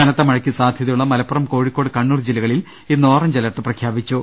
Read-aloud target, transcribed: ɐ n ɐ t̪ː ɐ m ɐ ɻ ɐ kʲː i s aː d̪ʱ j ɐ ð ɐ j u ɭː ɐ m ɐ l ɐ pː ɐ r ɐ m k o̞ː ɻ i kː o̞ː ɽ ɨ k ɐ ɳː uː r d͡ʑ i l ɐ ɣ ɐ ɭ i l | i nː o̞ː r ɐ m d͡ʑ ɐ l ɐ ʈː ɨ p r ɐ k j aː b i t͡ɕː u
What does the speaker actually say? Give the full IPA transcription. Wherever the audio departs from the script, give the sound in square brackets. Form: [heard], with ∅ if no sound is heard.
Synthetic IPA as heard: ɐ n ɐ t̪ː ɐ m ɐ ɻ ɐ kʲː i s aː d̪ʱ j ɐ ð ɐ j u ɭː ɐ m ɐ l ɐ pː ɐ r ɐ m k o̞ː ɻ i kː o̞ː ɽ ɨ k ɐ ɳː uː r d͡ʑ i l ɐ ɣ ɐ ɭ i l | i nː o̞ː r ɐ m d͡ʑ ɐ l ɐ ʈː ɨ p r ɐ [kʰ] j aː b i t͡ɕː u

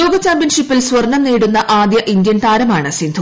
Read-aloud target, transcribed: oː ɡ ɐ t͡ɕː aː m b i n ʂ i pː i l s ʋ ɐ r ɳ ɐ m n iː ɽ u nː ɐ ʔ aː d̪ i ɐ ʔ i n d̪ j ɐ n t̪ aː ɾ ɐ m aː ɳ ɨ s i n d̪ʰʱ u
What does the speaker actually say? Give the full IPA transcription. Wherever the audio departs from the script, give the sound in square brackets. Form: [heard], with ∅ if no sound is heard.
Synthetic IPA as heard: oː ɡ ɐ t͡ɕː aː m b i n ʂ i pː i l s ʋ ɐ r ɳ ɐ m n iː ɽ u nː ɐ ʔ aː d̪ [j] ɐ ʔ i n d̪ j ɐ n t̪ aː ɾ ɐ m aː ɳ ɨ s i n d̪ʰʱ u

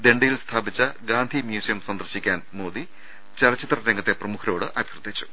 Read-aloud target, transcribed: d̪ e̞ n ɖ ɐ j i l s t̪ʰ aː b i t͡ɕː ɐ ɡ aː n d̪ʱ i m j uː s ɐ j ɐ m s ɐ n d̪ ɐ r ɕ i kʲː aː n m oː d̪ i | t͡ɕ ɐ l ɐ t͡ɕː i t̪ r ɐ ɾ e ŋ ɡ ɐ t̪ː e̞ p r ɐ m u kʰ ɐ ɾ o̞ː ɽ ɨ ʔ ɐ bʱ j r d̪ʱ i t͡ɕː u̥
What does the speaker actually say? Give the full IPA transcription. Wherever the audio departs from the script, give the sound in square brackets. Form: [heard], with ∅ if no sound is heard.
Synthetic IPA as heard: d̪ e̞ [ɳ] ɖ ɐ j i l s t̪ʰ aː b i t͡ɕː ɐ ɡ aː n d̪ʱ i m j uː s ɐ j ɐ m s ɐ n d̪ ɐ r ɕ i kʲː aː n m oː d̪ i | t͡ɕ ɐ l ɐ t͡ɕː i t̪ r ɐ ɾ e ŋ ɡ ɐ t̪ː e̞ p r ɐ m u kʰ ɐ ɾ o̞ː ɽ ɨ ʔ ɐ bʱ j r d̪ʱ i t͡ɕː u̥

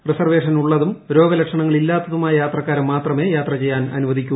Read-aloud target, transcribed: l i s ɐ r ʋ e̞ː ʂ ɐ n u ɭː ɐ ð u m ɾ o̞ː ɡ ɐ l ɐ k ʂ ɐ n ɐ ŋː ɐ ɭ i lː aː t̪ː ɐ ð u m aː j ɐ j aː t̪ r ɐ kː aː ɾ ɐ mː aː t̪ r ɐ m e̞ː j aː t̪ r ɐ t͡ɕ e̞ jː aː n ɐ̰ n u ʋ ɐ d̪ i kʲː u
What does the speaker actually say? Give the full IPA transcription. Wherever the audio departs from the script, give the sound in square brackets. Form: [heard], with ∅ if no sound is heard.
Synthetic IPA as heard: [r] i s ɐ r ʋ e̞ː ʂ ɐ n u ɭː ɐ ð u m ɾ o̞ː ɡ ɐ l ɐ k ʂ ɐ [ɳ] ɐ ŋː ɐ ɭ i lː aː t̪ː ɐ ð u m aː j ɐ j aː t̪ r ɐ kː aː ɾ ɐ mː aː t̪ r ɐ m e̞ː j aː t̪ r ɐ t͡ɕ e̞ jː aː n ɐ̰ n u ʋ ɐ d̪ i kʲː u

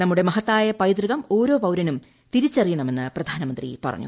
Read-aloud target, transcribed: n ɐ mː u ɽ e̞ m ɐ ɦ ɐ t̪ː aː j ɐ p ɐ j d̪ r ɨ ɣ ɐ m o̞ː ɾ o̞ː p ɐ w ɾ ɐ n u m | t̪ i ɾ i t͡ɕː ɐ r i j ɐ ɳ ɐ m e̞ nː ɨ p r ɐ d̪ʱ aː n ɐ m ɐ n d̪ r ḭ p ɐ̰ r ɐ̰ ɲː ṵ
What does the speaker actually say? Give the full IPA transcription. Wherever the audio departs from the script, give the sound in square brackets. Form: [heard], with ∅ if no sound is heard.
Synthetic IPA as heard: n ɐ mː u ɽ e̞ m ɐ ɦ ɐ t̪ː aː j ɐ p ɐ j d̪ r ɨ ɣ ɐ m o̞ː ɾ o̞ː p ɐ w ɾ ɐ n u m | t̪ i ɾ i t͡ɕː ɐ r i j ɐ ɳ ɐ m e̞ nː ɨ p r ɐ d̪ʱ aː n ɐ m ɐ n d̪ r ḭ p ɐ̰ r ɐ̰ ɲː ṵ

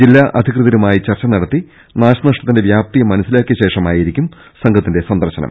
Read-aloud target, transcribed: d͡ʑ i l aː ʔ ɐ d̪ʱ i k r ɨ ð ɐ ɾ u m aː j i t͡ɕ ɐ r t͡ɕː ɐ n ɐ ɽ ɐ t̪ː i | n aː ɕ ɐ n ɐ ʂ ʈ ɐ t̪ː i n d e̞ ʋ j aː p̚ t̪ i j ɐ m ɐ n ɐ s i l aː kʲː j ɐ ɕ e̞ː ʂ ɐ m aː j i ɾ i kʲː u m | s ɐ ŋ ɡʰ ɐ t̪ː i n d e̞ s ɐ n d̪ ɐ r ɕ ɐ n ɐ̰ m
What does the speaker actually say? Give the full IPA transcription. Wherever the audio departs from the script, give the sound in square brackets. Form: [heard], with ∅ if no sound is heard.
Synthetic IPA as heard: d͡ʑ i [lː] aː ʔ ɐ d̪ʱ i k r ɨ ð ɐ ɾ u m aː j i t͡ɕ ɐ r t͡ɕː ɐ n ɐ ɽ ɐ t̪ː i | n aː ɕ ɐ n ɐ ʂ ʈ ɐ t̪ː i n d e̞ ʋ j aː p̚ t̪ i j ɐ m ɐ n ɐ s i l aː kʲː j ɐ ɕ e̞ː ʂ ɐ m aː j i ɾ i kʲː u m | s ɐ ŋ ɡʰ ɐ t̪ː i n d e̞ s ɐ n d̪ ɐ r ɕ ɐ n ɐ̰ m

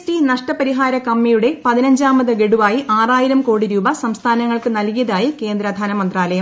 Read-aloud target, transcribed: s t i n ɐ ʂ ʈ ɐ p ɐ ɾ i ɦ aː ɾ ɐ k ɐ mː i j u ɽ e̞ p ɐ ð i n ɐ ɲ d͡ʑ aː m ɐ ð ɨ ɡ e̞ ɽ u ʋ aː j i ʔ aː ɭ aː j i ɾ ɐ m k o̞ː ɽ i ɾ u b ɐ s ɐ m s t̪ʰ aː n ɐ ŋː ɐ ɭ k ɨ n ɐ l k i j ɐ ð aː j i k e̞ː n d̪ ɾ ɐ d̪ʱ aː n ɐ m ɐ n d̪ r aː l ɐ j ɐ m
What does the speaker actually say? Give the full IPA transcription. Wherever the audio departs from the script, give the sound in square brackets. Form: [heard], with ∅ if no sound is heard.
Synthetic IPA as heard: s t i n ɐ ʂ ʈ ɐ p ɐ ɾ i ɦ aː ɾ ɐ k ɐ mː i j u ɽ e̞ p ɐ ð i n ɐ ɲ d͡ʑ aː m ɐ ð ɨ ɡ e̞ ɽ u ʋ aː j i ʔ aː [r] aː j i ɾ ɐ m k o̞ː ɽ i ɾ [uː] b ɐ s ɐ m s t̪ʰ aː n ɐ ŋː ɐ ɭ k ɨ n ɐ l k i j ɐ ð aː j i k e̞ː n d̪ ɾ ɐ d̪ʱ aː n ɐ m ɐ n d̪ r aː l ɐ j ɐ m

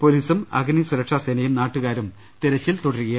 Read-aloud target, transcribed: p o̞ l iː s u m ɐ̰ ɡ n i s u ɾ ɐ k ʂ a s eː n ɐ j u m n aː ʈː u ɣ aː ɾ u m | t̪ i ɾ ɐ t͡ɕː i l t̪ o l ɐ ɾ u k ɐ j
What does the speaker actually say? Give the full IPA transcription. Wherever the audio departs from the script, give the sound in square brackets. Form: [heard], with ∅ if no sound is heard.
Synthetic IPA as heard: p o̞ l iː s u m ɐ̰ ɡ n i s u ɾ ɐ k ʂ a s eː n ɐ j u m n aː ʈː u ɣ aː ɾ u m | t̪ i ɾ ɐ t͡ɕː i l t̪ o [ɽ] ɐ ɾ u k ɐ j

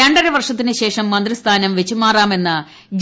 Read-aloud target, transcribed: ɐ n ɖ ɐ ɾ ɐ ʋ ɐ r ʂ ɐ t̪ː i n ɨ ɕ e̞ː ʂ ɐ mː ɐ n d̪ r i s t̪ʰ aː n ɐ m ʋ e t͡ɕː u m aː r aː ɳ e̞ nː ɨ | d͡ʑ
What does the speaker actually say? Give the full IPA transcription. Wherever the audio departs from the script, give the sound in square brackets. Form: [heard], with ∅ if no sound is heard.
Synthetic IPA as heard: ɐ [ɳ] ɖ ɐ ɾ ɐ ʋ ɐ r ʂ ɐ t̪ː i n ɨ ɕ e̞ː ʂ ɐ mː ɐ n d̪ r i s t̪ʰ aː n ɐ m ʋ e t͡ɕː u m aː r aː [m] e̞ nː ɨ | d͡ʑ

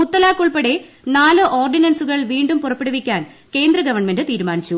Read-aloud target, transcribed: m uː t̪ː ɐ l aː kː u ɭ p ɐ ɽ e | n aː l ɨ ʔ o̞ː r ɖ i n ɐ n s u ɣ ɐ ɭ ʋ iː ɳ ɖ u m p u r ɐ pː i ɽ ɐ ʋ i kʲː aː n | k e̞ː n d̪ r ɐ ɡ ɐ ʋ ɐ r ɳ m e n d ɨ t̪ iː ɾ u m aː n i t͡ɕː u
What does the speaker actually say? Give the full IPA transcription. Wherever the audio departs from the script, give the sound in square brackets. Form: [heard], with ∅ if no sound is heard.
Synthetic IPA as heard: m [u] t̪ː ɐ l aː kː u ɭ p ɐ ɽ e | n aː l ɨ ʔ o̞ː r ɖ i n ɐ n s u ɣ ɐ ɭ ʋ iː ɳ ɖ u m p u r ɐ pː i ɽ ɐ ʋ i kʲː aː n | k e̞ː n d̪ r ɐ ɡ ɐ ʋ ɐ r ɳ m e n d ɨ t̪ iː ɾ u m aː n i t͡ɕː u

